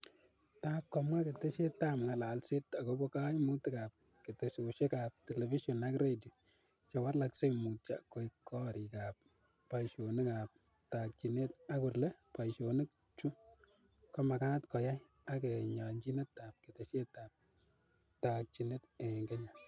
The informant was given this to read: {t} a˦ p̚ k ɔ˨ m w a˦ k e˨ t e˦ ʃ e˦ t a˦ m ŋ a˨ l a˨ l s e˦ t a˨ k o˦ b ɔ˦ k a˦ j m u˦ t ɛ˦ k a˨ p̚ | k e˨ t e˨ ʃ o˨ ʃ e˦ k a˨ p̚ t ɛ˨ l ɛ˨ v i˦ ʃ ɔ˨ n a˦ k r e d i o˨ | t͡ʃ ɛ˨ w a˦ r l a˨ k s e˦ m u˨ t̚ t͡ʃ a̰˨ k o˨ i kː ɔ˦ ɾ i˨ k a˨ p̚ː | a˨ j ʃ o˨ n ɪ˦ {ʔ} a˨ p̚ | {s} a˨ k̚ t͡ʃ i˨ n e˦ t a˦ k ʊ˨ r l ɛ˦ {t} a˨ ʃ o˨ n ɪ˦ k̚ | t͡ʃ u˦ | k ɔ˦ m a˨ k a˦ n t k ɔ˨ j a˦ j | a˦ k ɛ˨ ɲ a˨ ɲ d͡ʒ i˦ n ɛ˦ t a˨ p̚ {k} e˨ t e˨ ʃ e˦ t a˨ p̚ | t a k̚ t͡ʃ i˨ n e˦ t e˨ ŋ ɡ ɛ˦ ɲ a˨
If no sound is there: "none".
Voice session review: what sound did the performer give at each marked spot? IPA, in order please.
t, k, t, p, k

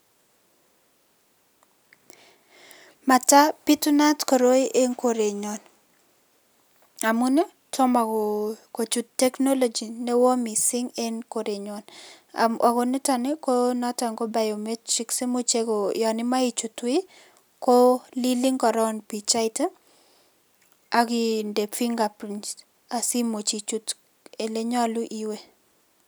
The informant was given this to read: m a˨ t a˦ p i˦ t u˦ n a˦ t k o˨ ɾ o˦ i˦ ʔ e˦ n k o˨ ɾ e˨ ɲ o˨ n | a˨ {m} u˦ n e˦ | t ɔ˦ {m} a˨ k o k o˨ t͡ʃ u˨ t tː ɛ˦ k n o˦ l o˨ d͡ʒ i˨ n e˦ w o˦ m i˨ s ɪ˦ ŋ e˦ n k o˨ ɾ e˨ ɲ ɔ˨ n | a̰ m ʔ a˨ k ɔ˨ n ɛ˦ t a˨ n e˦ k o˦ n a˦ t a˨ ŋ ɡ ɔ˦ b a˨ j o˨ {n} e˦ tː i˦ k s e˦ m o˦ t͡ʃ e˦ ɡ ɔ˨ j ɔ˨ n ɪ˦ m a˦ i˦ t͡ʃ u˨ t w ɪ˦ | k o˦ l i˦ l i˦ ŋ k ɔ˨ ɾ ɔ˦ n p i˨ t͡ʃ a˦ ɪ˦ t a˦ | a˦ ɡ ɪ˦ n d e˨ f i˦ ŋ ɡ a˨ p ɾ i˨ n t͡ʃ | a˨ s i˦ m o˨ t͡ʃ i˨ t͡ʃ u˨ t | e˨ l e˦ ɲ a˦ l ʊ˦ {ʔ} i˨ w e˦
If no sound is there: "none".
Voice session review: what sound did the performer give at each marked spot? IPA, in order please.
m, m, m, ʔ

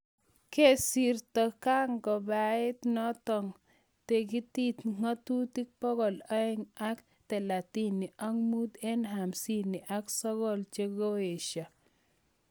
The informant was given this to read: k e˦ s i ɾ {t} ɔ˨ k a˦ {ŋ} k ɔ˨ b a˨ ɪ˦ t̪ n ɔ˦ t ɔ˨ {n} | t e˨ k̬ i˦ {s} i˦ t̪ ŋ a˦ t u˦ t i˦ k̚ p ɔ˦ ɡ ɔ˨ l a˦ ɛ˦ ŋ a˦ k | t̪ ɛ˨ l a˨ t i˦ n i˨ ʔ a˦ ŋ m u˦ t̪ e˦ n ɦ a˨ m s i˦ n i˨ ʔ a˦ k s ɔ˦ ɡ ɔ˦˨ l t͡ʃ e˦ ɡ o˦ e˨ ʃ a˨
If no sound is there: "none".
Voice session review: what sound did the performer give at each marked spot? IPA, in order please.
t, ŋ, ŋ, t

